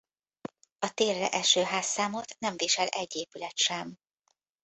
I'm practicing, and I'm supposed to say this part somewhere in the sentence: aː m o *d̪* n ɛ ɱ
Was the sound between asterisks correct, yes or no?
no